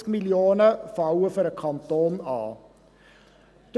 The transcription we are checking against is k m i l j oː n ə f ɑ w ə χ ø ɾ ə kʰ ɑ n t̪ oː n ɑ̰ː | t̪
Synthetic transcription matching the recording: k m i l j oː n ə f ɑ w ə f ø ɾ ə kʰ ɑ n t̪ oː n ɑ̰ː | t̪